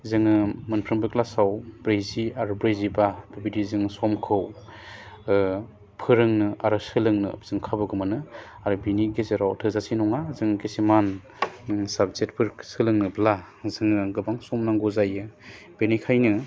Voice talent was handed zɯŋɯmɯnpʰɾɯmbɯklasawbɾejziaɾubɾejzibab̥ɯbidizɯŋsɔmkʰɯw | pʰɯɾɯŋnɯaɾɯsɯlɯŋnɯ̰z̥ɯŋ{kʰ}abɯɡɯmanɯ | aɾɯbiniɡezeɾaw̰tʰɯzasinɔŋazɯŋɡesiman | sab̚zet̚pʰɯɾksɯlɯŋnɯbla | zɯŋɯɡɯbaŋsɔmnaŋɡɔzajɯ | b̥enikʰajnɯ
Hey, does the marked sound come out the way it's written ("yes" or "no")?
yes